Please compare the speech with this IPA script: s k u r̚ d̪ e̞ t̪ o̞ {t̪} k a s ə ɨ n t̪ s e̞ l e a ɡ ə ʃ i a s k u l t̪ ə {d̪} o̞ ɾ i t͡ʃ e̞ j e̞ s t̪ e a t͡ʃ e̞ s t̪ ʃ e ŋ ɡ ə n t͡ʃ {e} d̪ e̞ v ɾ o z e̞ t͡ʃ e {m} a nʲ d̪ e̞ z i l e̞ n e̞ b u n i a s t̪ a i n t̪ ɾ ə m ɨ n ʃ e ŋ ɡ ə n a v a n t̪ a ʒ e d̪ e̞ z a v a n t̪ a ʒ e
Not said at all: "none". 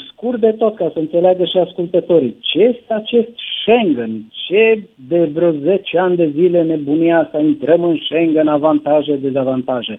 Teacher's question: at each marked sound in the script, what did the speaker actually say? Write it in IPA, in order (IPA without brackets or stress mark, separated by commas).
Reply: t̪, t̪, e, none